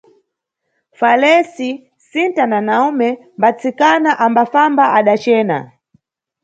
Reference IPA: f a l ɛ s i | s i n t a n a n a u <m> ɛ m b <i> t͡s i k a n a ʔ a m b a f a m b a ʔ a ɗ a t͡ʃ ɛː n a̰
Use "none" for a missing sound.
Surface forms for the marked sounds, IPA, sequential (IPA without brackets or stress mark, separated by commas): m, a